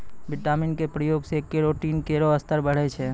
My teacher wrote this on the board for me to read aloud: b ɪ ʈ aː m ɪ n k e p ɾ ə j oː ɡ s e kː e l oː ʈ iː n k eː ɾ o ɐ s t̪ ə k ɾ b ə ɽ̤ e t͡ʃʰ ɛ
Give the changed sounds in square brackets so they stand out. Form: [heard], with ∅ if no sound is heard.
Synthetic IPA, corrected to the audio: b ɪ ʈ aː m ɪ n k e p ɾ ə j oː ɡ s e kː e [ɾ] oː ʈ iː n k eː ɾ o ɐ s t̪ ə [∅] ɾ b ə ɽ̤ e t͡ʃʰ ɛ